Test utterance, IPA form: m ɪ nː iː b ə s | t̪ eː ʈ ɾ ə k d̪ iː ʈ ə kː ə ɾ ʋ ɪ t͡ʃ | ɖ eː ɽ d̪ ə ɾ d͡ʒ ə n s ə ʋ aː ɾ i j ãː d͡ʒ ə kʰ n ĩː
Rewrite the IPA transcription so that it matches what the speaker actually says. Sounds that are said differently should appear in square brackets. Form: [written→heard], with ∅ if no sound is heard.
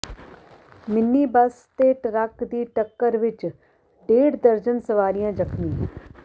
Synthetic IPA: m ɪ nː iː b ə s | t̪ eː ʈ ɾ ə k d̪ iː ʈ ə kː ə ɾ ʋ ɪ t͡ʃ | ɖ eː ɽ d̪ ə ɾ d͡ʒ ə n s ə ʋ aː ɾ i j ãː d͡ʒ ə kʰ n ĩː